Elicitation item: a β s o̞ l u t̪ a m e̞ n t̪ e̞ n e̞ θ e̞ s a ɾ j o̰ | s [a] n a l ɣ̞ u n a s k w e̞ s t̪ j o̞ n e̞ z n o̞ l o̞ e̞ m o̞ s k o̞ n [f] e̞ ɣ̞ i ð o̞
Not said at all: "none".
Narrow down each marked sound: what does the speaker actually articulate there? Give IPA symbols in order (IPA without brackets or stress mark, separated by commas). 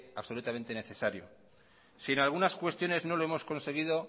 i, s